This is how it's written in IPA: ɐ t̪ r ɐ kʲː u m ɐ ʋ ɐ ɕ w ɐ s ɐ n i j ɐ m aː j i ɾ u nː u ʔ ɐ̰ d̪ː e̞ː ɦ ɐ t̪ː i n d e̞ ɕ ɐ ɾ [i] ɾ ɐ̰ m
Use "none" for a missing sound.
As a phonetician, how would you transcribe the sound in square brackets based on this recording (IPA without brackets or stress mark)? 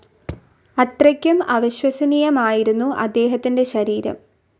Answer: iː